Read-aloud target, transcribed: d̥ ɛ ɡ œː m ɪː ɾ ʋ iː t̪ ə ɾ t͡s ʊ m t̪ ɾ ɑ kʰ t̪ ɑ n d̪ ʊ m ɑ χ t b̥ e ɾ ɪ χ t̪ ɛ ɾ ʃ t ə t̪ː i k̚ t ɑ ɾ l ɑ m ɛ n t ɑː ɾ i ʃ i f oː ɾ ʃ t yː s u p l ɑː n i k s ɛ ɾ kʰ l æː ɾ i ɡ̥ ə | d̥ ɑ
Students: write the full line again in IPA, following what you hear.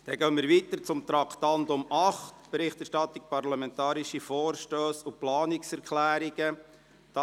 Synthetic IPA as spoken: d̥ ɛ ɡ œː m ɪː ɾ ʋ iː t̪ ə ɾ t͡s ʊ m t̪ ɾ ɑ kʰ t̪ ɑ n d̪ ʊ m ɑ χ t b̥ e ɾ ɪ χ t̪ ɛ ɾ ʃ t ɑ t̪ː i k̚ p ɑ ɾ l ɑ m ɛ n t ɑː ɾ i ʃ i f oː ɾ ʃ t øː s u p l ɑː n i k s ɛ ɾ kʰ l æː ɾ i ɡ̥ ə | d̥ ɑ